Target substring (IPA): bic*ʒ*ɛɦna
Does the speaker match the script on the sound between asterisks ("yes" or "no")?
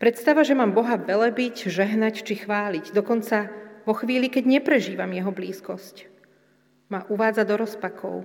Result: yes